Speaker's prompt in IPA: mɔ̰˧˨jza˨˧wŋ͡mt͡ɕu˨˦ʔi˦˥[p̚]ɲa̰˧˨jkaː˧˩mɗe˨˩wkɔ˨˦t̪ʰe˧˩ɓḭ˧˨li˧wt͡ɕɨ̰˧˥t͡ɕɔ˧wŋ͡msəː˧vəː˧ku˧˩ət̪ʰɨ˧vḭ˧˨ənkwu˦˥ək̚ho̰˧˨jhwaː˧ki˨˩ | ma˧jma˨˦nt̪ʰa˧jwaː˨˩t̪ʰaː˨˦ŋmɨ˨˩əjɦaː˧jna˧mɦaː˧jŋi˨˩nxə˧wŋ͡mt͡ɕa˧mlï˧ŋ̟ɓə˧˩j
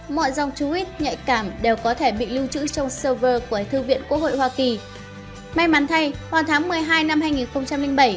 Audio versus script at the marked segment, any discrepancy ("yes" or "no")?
yes